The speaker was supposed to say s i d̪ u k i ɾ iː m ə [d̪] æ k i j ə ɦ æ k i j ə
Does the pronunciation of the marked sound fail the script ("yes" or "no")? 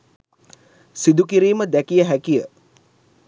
no